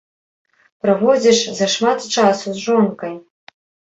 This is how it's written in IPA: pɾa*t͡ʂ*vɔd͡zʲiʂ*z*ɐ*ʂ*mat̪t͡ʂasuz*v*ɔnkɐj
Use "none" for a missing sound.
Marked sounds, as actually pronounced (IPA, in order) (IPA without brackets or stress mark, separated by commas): none, z, ʂ, ʐ